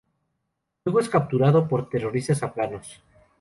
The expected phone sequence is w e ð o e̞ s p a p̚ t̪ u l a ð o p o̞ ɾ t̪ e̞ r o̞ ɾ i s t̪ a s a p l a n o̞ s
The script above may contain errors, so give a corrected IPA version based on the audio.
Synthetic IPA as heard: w e ɣ o e̞ s k a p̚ t̪ u ɾ a ð o p o̞ ɾ t̪ e̞ r o̞ ɾ i s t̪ a s a p l a n o̞ s